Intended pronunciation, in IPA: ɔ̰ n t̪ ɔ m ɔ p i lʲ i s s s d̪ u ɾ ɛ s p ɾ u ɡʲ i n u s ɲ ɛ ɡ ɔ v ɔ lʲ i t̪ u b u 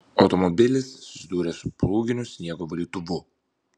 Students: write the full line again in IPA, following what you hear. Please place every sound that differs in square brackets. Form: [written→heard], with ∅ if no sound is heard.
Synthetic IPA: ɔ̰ [n→∅] t̪ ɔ m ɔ [p→b] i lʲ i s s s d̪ u ɾ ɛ s p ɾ u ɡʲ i n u s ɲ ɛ ɡ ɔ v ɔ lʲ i t̪ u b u